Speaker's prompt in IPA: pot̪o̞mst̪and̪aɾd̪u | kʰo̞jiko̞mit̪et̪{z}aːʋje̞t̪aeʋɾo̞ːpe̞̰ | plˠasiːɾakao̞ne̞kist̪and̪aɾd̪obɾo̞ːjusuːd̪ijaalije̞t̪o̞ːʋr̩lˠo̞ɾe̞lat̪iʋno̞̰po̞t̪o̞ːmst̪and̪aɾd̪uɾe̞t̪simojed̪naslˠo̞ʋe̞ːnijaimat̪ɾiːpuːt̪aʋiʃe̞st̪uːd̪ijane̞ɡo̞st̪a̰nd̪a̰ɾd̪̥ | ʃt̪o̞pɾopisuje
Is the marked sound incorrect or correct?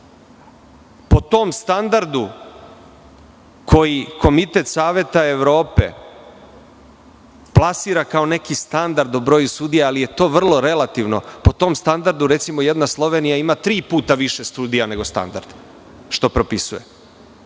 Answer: incorrect